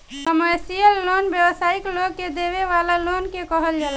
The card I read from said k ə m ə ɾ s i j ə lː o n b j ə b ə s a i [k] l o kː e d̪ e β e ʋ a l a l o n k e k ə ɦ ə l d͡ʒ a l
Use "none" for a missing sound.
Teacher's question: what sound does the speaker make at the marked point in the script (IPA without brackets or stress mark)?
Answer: k